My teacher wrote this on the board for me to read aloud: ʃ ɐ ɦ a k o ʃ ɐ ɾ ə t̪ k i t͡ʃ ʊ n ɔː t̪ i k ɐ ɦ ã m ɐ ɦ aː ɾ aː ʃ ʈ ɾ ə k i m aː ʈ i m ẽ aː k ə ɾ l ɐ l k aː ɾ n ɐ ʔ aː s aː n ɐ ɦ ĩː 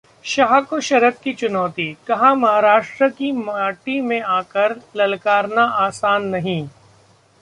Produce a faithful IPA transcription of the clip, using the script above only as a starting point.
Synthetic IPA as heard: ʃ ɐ ɦ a k o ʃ ɐ ɾ ə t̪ k i t͡ʃ ʊ n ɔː t̪ i k ɐ ɦ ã m ɐ ɦ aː ɾ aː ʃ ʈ ɾ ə k i m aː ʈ i m ẽ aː k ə ɾ l ɐ l k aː ɾ n a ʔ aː s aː nː ɐ ɦ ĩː